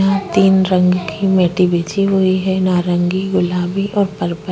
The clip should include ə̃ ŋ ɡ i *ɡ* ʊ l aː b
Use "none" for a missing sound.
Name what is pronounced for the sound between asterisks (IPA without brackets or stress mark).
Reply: ɡ